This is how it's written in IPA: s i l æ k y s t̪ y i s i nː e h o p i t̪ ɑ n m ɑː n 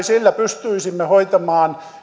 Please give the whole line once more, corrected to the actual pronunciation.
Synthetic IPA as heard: s i lː æ p y s t̪ y i s i mː e h o i t̪ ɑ m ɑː n

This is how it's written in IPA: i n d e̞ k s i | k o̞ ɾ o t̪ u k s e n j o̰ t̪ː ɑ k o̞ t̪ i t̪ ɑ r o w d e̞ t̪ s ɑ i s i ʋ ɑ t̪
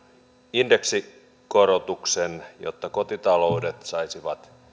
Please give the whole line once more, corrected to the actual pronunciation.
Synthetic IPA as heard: i n d e̞ k s i | k o̞ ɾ o t̪ u k s e n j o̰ t̪ː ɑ k o̞ t̪ i t̪ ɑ l o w d e̞ t̪ s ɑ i s i ʋ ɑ t̪

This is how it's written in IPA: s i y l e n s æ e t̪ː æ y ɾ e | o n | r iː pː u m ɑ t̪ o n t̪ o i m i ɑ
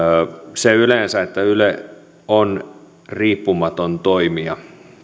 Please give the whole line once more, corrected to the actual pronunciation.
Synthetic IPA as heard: s e y l e n s æ e t̪ː æ y l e | o n | r iː pː u m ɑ t̪ o n t̪ o i m i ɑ

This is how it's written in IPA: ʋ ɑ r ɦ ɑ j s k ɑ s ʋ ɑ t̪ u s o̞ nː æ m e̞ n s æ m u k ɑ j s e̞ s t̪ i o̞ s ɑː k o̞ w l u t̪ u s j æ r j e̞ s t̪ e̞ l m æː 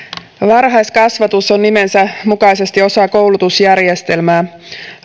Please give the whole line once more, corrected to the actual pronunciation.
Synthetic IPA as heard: ʋ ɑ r ɦ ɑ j s k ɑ s ʋ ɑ t̪ u s o̞ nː i m e̞ n s æ m u k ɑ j s e̞ s t̪ i o̞ s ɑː k o̞ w l u t̪ u s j æ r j e̞ s t̪ e̞ l m æː

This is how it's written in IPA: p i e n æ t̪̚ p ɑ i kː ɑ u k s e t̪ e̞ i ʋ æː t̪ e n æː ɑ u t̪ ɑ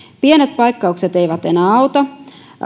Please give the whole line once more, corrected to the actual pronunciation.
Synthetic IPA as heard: p i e n e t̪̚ p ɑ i kː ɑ u k s e t̪ e̞ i ʋ æ t̪ e n æː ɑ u t̪ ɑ

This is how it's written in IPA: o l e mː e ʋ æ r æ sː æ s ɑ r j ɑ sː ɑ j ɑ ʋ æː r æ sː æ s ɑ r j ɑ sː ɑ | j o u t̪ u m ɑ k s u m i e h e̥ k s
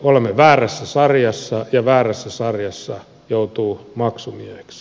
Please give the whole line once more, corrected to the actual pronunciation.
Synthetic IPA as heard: o l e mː e ʋ æː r æ sː æ s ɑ r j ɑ sː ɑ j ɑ ʋ æː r æ sː æ s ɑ r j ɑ sː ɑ | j o u t̪ uː m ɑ k s u m i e h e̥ k s

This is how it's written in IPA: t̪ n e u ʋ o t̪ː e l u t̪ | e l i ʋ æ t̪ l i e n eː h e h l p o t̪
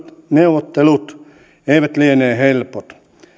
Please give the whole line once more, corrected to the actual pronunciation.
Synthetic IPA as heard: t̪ n e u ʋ o t̪ː e l u t̪ | e i ʋ æ t̪ l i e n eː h e l p o t̪

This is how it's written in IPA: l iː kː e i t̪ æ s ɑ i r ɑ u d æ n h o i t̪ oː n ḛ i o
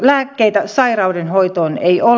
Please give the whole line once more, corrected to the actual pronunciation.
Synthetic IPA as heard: l æː kː e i t̪ æ s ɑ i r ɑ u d e n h o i t̪ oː n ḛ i o

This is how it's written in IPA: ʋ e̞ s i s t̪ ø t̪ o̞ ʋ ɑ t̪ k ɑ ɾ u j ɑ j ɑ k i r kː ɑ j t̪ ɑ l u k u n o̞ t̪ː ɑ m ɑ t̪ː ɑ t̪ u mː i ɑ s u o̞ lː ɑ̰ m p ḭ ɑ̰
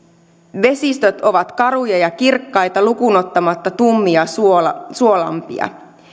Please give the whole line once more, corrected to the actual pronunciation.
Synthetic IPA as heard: ʋ e̞ s i s t̪ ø t̪ o̞ ʋ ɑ t̪ k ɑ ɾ u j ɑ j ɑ k i r kː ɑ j t̪ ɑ l u k u n o̞ t̪ː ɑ m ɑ t̪ː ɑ t̪ u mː i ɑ s u o̞ l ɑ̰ m p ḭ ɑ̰

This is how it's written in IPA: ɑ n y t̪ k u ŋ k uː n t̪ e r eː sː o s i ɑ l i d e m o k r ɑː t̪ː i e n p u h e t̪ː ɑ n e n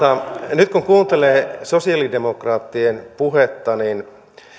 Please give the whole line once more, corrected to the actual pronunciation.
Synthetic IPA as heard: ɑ n y t̪ k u ŋ k uː n t̪ e l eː s o s i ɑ l i d e m o k r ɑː t̪ː i e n p u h e t̪ː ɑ n i n

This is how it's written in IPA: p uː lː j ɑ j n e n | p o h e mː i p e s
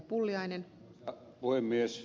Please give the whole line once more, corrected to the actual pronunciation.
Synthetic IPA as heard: p u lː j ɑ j n e n | p u h e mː i e s

